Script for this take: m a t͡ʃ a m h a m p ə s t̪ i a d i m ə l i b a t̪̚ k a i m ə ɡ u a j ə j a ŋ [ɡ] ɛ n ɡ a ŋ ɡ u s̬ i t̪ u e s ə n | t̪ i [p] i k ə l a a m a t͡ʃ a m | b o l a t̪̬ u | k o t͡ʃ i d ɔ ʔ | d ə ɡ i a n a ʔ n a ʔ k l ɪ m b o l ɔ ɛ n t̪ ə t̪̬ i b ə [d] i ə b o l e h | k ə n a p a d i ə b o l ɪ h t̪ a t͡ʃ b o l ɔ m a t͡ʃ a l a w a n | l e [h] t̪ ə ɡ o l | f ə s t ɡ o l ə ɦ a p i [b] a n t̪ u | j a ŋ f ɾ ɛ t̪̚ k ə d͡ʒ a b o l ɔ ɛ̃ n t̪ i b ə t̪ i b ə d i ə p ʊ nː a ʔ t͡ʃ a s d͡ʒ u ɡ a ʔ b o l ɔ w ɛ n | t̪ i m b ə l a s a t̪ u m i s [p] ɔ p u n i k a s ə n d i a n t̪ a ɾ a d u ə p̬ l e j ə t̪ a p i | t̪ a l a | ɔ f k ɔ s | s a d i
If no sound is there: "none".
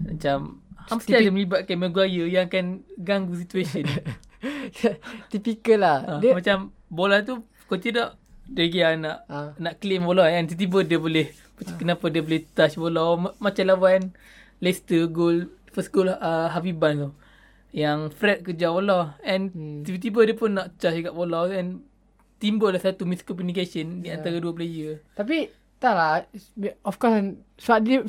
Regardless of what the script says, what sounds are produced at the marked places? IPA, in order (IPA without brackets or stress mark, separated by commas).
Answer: k, p, d, s, b, k